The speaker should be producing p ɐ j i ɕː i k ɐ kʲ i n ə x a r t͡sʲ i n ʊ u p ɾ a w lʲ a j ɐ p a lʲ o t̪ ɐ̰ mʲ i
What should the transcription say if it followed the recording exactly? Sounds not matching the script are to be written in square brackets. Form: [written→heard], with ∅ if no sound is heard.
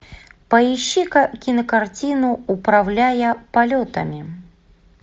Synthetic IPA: p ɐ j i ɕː i k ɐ kʲ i n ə [x→k] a r t͡sʲ i n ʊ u p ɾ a w lʲ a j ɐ p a lʲ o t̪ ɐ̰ mʲ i